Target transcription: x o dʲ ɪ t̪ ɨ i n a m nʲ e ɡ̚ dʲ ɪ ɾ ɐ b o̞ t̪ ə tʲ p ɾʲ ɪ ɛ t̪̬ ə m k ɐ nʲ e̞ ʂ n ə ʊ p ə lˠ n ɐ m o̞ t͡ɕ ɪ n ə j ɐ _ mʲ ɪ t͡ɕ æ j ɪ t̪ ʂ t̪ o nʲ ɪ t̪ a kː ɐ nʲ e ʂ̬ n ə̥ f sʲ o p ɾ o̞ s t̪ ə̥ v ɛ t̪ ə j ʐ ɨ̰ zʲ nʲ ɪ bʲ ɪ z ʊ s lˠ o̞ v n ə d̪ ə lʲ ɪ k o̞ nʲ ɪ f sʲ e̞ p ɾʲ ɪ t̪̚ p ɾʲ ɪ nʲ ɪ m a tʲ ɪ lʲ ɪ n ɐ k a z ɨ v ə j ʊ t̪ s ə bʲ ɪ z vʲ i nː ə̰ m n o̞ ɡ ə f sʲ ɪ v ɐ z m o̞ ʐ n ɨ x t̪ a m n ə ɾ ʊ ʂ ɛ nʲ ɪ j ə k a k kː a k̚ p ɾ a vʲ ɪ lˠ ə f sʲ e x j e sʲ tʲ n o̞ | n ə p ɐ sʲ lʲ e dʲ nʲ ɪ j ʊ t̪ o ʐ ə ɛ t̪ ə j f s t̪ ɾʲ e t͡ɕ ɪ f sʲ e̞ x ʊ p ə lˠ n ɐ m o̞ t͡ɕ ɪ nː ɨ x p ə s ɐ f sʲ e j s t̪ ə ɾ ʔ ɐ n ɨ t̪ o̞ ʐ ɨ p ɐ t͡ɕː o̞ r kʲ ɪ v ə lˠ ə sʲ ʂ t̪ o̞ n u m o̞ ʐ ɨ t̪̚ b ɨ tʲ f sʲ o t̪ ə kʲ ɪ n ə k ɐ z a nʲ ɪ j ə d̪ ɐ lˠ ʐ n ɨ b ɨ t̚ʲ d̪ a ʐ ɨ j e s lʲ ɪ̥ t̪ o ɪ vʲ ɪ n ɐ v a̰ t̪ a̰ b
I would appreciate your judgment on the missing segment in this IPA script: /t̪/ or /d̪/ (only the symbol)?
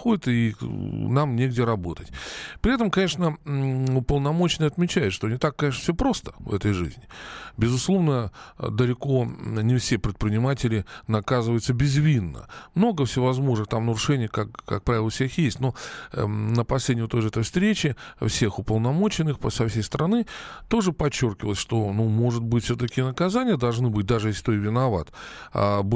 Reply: t̪